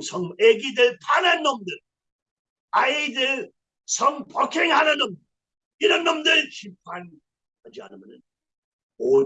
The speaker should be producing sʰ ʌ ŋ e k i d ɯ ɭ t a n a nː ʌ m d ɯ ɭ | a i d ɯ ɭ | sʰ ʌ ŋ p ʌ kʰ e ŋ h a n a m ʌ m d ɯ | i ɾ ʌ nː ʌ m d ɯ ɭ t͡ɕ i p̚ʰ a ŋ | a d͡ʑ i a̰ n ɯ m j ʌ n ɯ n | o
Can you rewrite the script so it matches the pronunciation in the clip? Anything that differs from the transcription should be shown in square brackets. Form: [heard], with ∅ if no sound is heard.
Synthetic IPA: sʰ ʌ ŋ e [ɡ] i d ɯ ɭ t a n a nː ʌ m d ɯ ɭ | a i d ɯ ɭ | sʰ ʌ ŋ p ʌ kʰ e ŋ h a n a [n] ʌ m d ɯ | i ɾ ʌ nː ʌ m d ɯ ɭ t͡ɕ i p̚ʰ a [n] | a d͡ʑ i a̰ n ɯ m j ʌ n ɯ n | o